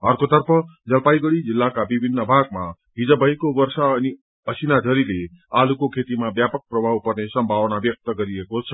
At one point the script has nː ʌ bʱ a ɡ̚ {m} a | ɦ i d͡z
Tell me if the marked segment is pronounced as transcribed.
yes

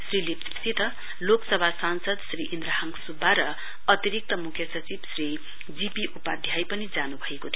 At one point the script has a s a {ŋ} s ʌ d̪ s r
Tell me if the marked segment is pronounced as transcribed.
no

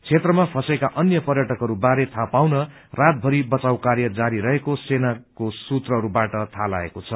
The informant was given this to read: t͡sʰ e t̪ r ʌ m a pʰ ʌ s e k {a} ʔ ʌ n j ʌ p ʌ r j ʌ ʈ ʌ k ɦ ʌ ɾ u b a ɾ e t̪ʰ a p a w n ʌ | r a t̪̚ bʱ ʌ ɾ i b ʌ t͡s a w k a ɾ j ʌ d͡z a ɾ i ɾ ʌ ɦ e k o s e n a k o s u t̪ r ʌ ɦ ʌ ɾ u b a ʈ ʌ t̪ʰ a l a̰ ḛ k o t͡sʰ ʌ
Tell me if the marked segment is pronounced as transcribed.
yes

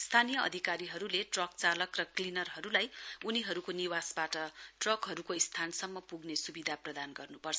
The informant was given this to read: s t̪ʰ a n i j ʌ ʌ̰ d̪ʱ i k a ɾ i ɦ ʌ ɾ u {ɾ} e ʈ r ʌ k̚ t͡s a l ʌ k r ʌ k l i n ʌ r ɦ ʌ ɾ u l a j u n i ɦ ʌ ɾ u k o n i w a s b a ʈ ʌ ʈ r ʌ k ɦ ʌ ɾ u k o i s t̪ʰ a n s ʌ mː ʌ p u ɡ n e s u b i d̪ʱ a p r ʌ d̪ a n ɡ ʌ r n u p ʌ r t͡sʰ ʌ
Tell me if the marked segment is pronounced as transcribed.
no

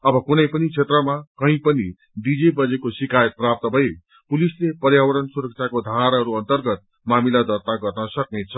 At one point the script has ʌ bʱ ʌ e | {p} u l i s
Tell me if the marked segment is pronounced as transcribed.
yes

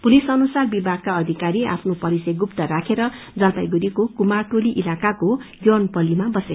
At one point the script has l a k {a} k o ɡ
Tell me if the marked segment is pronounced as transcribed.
yes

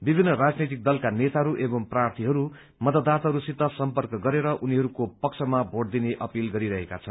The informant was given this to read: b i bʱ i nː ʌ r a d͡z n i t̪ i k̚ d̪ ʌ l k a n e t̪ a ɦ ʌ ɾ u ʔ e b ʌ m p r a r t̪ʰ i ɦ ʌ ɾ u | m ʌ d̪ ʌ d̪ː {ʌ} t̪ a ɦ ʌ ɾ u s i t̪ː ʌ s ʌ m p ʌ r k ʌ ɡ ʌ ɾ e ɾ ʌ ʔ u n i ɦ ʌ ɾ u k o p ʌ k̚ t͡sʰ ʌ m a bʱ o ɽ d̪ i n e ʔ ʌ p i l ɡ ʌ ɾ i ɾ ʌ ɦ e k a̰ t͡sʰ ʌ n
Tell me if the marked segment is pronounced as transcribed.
no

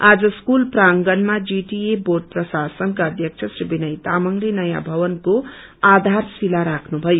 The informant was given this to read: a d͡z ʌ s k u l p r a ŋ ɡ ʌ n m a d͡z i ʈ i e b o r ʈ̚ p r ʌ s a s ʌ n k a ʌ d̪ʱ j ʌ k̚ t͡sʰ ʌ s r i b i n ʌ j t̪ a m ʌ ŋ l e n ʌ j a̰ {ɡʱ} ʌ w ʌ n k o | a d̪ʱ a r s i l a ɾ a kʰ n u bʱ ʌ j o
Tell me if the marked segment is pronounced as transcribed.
no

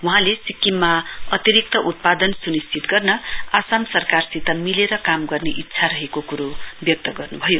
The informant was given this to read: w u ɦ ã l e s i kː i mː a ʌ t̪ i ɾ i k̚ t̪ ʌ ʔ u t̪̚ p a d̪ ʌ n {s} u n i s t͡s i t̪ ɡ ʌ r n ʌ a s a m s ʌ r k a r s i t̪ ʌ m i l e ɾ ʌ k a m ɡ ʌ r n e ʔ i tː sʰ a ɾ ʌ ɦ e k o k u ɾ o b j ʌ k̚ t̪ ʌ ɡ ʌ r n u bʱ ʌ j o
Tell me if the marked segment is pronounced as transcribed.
yes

